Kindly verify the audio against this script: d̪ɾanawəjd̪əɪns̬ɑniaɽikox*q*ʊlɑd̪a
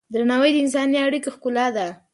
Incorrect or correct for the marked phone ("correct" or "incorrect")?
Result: incorrect